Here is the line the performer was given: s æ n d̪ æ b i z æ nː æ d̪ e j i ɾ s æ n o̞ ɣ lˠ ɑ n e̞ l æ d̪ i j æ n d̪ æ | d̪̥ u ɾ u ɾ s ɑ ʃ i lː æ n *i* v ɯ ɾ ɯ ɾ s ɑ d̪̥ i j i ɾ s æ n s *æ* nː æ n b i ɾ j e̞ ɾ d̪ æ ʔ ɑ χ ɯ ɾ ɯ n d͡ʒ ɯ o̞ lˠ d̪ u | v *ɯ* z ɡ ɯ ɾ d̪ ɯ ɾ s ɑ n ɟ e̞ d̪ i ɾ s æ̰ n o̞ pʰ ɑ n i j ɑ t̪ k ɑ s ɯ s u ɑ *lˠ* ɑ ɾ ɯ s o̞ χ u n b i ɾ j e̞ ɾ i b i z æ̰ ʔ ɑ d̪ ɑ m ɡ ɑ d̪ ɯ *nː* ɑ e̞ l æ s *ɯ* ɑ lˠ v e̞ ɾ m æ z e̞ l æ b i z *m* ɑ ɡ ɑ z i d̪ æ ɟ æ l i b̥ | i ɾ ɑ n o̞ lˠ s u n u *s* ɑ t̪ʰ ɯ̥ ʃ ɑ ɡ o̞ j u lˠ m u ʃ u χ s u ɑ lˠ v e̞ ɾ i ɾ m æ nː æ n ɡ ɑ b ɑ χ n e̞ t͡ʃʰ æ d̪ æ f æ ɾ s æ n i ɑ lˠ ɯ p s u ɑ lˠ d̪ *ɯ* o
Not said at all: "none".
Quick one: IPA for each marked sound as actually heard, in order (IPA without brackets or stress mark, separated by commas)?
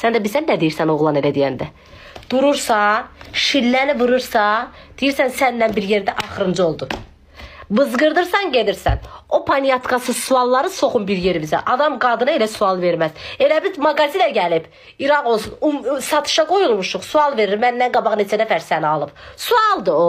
i, æ, ɯ, lˠː, n, u, m, s, ɯ